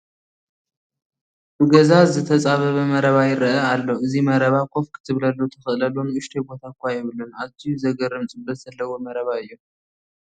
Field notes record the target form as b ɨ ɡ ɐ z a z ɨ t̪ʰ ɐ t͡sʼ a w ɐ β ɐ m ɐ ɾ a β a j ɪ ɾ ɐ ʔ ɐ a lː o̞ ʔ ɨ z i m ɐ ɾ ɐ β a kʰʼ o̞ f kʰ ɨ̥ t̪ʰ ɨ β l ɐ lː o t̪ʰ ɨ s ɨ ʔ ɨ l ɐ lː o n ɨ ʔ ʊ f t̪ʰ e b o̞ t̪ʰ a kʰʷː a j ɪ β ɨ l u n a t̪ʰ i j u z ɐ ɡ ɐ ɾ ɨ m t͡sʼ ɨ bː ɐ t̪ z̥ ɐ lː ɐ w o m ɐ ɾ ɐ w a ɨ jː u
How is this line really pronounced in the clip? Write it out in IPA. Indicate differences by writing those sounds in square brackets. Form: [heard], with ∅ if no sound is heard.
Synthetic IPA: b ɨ ɡ ɐ z a z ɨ t̪ʰ ɐ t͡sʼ a [β] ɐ β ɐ m ɐ ɾ [ɐ] β a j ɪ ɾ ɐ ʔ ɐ a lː o̞ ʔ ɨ z i m ɐ ɾ ɐ β a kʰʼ o̞ f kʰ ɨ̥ t̪ʰ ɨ β l ɐ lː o t̪ʰ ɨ [x] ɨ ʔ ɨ l ɐ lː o n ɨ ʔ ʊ [ʃ] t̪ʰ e b o̞ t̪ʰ a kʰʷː a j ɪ β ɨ l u n a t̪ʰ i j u z ɐ ɡ ɐ ɾ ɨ m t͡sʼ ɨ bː ɐ t̪ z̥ ɐ lː ɐ w o m ɐ ɾ ɐ [β] a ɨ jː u